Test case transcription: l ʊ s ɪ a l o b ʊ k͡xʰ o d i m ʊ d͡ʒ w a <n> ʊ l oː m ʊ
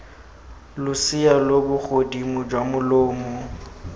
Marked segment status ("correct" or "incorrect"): incorrect